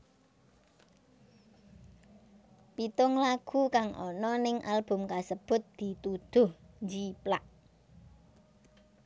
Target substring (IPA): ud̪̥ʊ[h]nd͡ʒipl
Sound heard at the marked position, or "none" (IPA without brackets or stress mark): h